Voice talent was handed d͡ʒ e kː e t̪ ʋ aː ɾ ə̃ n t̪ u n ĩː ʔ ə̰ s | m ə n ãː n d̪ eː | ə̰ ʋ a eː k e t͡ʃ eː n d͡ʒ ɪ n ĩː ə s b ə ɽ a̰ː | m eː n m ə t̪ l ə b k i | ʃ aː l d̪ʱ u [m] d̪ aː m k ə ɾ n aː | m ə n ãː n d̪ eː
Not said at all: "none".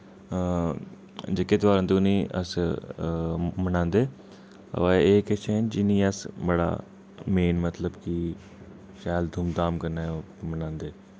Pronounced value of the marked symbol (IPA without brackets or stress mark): m